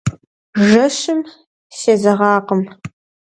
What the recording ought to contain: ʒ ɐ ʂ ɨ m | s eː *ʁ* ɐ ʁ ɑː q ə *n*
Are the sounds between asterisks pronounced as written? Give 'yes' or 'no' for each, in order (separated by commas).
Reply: no, no